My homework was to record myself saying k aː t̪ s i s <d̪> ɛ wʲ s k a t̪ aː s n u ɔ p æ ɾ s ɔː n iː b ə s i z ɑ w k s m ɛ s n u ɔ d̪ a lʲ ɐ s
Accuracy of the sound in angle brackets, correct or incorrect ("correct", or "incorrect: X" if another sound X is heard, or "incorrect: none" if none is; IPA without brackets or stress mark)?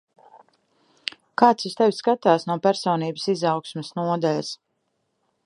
incorrect: t̪